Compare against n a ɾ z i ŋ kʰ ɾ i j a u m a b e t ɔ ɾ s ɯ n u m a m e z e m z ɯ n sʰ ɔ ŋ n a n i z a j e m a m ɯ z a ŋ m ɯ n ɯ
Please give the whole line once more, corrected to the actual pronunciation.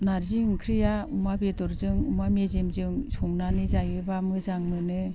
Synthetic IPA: n a ɾ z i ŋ kʰ ɾ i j a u m a b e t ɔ ɾ z ɯ ŋ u m a m e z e m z ɯ ŋ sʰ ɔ ŋ n a n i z a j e b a m ɯ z a ŋ m ɯ n ɯ